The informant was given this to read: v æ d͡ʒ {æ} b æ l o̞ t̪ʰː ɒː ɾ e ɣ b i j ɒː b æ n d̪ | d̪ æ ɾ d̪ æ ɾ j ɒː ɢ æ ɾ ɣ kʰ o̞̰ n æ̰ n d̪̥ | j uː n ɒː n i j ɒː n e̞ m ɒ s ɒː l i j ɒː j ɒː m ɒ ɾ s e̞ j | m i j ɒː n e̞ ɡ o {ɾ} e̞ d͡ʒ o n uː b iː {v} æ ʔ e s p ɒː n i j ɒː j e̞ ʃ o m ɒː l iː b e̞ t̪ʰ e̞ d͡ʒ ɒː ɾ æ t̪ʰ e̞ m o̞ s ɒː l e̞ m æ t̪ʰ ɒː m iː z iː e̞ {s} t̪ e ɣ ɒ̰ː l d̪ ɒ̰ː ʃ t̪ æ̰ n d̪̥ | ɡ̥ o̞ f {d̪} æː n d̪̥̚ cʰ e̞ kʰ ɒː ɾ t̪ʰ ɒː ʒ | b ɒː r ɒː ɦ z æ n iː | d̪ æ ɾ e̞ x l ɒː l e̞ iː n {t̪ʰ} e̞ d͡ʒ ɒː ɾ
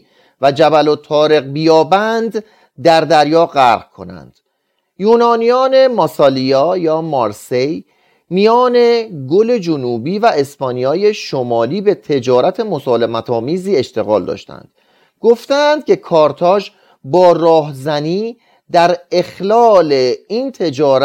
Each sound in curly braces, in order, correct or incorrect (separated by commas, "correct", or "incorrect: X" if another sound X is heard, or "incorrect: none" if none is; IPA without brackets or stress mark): correct, incorrect: l, correct, incorrect: ʃ, incorrect: t̪, correct